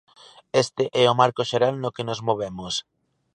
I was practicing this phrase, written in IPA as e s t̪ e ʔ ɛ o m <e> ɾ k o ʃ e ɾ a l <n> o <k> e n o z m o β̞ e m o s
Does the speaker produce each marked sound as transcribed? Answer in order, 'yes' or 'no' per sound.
no, yes, yes

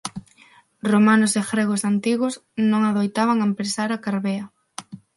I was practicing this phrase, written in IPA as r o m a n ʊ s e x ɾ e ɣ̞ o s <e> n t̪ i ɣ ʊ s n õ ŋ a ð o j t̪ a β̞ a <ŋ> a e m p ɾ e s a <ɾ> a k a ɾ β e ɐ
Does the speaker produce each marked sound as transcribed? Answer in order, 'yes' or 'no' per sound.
no, yes, yes

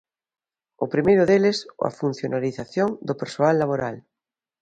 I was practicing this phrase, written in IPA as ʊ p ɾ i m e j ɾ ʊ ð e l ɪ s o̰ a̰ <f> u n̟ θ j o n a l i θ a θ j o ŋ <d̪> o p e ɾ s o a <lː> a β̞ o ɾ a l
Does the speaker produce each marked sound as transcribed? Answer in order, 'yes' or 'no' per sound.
yes, yes, yes

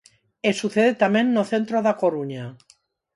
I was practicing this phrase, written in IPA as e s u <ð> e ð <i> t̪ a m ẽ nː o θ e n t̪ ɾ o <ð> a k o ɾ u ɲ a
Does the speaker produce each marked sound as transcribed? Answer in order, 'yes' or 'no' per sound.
no, no, yes

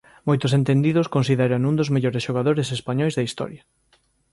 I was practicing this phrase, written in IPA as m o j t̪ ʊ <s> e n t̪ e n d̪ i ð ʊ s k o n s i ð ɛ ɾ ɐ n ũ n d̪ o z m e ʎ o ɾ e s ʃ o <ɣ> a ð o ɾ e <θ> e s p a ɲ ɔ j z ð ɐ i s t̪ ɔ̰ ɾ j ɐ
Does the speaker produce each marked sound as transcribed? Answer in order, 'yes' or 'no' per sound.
yes, yes, no

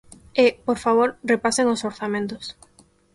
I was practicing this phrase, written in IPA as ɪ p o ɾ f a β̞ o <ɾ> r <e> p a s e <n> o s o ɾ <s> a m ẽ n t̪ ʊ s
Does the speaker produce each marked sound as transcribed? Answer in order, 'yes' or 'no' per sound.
yes, yes, no, no

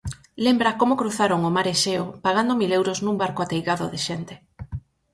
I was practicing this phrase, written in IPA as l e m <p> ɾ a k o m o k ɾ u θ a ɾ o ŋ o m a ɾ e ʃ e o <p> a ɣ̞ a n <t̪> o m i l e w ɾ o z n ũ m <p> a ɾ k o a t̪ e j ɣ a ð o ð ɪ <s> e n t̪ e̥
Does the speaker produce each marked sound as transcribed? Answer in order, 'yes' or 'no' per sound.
no, yes, no, no, no

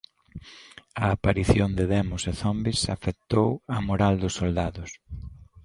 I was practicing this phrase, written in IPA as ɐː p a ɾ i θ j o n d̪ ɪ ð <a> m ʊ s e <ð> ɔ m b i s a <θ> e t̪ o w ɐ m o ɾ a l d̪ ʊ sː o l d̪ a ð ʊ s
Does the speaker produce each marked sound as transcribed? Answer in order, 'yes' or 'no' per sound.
no, no, no

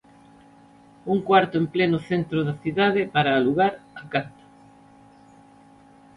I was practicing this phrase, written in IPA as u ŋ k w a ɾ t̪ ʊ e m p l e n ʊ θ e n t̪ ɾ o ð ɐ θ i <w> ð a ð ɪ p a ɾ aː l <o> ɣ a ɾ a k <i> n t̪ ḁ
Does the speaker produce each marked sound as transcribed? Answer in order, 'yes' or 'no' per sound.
no, no, no

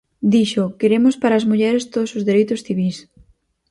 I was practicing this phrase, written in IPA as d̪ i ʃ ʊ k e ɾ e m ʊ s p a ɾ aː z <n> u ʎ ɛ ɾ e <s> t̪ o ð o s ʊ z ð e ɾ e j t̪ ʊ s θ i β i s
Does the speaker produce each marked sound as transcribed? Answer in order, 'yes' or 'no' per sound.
no, yes

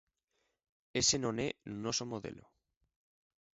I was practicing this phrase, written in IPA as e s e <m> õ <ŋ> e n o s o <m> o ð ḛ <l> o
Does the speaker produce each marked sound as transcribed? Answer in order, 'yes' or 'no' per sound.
no, no, yes, yes

